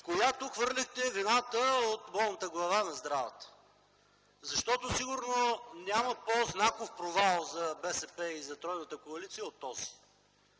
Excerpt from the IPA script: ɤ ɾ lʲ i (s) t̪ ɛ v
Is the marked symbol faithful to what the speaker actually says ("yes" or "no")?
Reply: no